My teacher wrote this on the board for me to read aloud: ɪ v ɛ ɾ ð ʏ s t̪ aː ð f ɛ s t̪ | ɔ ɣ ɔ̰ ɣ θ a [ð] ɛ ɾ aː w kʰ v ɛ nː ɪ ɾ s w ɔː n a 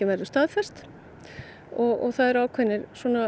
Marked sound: correct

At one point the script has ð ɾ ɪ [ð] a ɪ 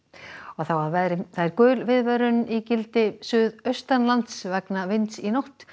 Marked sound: incorrect: θ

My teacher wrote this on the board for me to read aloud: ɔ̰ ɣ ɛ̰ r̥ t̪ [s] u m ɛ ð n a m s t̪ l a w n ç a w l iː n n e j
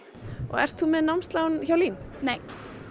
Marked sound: incorrect: θ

